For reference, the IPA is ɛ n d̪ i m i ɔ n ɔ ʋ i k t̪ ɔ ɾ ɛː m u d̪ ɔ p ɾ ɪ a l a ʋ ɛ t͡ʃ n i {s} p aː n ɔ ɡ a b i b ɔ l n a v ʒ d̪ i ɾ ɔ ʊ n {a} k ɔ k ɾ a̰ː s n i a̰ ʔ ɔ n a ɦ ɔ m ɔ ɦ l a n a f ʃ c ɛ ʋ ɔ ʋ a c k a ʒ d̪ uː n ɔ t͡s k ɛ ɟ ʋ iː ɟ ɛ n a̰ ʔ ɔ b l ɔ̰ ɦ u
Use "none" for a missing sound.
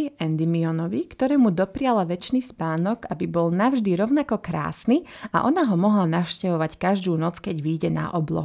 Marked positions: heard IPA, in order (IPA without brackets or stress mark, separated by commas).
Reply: s, a